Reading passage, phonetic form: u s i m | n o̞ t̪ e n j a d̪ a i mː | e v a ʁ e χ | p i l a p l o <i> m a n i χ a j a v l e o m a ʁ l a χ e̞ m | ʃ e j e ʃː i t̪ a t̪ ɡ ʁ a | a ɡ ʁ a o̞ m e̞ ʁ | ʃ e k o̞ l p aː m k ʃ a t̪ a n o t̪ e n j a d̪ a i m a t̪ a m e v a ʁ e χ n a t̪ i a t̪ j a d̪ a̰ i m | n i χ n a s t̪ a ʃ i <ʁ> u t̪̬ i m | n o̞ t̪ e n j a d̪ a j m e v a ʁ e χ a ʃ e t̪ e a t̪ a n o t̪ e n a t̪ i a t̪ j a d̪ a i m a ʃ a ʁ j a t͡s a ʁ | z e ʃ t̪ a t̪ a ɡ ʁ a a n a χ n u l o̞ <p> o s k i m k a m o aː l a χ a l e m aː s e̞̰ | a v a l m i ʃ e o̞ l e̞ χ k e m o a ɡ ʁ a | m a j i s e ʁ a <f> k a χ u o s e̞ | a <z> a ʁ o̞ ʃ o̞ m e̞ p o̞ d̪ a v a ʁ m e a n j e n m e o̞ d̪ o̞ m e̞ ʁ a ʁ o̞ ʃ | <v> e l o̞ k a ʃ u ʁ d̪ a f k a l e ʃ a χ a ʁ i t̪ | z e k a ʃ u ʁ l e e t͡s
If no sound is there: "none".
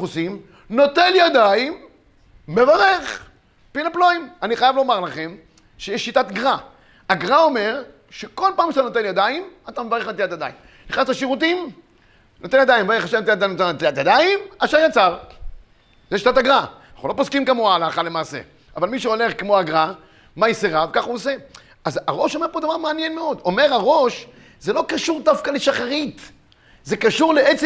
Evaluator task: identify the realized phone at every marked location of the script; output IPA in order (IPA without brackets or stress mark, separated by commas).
i, ʁ, p, v, z, z